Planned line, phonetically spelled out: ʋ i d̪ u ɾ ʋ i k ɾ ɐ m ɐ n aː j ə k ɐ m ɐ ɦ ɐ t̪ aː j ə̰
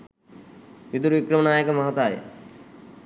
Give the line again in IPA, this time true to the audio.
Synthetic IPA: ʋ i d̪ u ɾ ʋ i k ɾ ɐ m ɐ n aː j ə k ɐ m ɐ ɦ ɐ t̪ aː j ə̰

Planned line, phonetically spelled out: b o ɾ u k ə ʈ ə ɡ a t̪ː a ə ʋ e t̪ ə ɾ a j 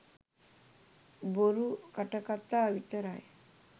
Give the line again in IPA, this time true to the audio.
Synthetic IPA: b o ɾ u k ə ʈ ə k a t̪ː a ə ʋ i t̪ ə ɾ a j

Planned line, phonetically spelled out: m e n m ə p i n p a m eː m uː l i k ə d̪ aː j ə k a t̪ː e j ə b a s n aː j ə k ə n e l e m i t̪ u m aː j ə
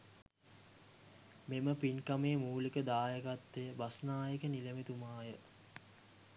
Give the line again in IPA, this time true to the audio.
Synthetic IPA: m e m ə p i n k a m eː m uː l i k ə d̪ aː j ə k a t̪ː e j ə b a s n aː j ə k ə n i l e m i t̪ u m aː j ə

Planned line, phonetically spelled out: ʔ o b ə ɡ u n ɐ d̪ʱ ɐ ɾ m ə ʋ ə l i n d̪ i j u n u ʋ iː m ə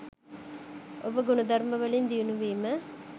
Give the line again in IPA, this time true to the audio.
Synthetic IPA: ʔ o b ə ɡ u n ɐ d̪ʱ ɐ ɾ m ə ʋ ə l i n d̪ i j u n u ʋ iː m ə

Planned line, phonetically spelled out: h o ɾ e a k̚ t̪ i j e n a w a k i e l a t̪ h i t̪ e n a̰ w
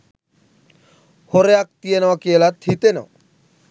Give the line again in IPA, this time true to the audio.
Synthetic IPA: h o ɾ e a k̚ t̪ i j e n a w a k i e l a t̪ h i t̪ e n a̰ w

